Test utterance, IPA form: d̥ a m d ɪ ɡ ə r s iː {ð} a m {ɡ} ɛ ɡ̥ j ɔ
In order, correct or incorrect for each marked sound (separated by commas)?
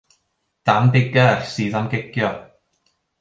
correct, correct